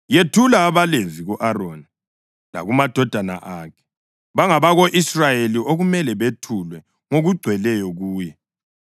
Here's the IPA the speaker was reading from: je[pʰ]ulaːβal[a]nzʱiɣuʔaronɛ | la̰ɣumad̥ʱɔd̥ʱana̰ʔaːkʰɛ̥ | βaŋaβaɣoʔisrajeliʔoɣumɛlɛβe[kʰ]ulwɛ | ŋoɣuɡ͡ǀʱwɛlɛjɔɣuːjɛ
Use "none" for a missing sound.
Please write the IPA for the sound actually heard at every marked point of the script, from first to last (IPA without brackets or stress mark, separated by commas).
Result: tʰ, e, tʰ